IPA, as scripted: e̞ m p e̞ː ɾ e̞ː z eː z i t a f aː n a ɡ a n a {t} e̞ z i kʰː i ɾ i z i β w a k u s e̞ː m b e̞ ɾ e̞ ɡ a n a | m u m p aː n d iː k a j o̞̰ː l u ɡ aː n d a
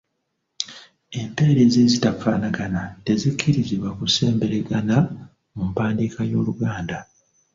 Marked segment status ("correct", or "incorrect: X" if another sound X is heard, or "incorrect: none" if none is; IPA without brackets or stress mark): correct